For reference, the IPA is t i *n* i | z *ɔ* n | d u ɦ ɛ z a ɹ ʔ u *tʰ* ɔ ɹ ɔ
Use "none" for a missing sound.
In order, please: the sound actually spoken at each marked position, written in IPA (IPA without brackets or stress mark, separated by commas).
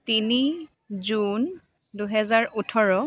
n, u, tʰ